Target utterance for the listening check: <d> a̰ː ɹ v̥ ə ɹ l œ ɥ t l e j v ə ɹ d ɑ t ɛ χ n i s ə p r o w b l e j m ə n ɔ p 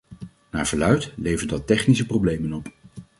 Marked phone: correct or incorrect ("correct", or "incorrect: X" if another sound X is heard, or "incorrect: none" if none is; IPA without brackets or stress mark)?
incorrect: n